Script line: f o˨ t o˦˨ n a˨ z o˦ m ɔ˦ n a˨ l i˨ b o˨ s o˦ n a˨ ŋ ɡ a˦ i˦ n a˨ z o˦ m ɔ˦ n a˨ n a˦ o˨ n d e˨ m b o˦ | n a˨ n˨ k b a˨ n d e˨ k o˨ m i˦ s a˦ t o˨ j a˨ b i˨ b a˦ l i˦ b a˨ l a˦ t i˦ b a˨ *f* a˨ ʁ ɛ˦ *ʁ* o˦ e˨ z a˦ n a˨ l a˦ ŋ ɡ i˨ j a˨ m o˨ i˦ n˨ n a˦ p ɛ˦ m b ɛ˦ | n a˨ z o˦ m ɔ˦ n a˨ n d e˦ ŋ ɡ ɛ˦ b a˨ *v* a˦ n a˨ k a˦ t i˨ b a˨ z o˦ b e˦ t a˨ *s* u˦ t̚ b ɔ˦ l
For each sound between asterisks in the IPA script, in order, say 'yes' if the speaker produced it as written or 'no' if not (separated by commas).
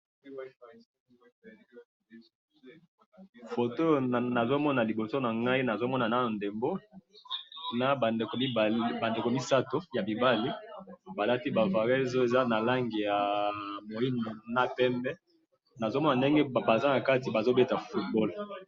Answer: no, no, no, no